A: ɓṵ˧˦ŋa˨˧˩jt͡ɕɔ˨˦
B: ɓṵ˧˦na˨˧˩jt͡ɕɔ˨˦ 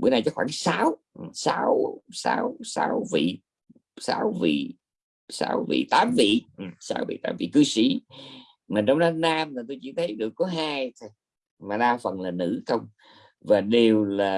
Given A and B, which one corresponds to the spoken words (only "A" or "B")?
B